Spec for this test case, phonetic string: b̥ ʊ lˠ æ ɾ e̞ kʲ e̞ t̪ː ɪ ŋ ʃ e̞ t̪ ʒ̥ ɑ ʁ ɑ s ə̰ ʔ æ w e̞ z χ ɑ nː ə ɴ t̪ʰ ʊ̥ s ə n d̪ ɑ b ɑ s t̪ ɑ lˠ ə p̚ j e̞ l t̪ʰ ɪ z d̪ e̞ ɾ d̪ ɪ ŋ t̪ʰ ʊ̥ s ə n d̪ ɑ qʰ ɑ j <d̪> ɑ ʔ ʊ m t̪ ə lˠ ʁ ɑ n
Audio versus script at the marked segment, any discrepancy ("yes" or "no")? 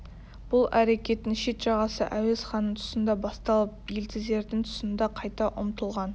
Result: yes